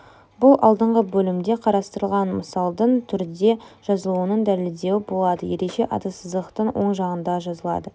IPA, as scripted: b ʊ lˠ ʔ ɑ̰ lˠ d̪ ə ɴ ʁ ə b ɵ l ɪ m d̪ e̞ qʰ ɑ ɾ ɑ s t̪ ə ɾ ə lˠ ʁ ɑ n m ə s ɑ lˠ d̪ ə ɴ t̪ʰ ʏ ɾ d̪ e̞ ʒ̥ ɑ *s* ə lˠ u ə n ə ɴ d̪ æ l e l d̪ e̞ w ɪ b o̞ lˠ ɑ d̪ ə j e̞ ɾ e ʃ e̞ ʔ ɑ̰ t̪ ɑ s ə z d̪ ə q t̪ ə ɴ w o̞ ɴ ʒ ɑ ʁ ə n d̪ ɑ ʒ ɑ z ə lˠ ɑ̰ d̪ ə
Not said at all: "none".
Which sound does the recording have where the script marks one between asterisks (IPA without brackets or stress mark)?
z